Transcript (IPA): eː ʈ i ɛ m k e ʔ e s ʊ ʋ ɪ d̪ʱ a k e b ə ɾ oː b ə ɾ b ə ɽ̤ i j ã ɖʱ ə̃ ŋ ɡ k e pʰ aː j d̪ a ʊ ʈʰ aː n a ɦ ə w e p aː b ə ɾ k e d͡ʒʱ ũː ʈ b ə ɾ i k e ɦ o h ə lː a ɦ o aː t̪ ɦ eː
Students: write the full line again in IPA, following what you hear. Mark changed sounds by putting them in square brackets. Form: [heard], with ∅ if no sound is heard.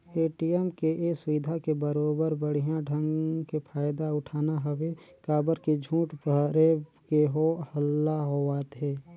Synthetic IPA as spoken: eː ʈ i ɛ m k e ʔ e s ʊ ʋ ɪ d̪ʱ a k e b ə ɾ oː b ə ɾ b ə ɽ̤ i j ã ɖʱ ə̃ ŋ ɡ k e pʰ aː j d̪ a ʊ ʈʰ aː n a ɦ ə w e [k] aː b ə ɾ k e d͡ʒʱ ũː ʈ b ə ɾ [e] k e ɦ o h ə lː a ɦ o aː t̪ ɦ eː